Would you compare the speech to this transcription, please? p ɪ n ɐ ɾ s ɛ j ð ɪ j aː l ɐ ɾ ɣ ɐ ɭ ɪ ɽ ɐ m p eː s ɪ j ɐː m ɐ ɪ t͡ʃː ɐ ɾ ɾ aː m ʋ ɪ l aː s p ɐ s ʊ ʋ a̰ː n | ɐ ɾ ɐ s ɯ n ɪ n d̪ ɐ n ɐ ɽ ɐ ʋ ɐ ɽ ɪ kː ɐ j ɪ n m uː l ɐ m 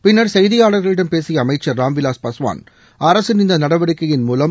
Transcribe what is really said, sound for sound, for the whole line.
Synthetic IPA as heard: p ɪ nː ɐ ɾ s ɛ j ð ɪ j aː ɽ ɐ ɾ ɣ ɐ ɭ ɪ ɽ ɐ m p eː s ɪ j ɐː m ɐ ɪ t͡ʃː ɐ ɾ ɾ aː m ʋ ɪ l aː s p ɐ s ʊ ʋ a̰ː n | ɐ ɾ ɐ s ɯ n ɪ n d̪ ɐ n ɐ ɽ ɐ ʋ ɐ ɽ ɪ kː ɐ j ɪ n m uː l ɐ m